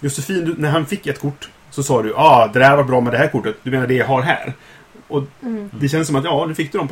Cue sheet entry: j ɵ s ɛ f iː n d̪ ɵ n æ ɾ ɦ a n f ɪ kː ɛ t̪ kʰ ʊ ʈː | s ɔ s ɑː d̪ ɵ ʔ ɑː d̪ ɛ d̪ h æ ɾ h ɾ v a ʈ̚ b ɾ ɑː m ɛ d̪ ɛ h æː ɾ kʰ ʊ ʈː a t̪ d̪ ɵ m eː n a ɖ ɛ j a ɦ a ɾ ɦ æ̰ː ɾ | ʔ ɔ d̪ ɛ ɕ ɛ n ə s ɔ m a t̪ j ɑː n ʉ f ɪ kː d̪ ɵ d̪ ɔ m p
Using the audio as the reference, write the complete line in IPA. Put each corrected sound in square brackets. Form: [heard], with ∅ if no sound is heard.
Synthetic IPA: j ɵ s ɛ f iː n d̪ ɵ n æ ɾ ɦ a n f ɪ kː ɛ t̪ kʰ ʊ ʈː | s ɔ s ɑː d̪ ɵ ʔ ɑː d̪ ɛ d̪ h æ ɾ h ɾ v a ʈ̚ b ɾ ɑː m ɛ d̪ ɛ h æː ɾ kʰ ʊ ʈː [ə] t̪ d̪ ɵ m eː n a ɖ ɛ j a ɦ a ɾ ɦ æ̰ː ɾ | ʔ ɔ d̪ ɛ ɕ ɛ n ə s ɔ m a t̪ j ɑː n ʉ f ɪ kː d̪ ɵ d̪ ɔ m p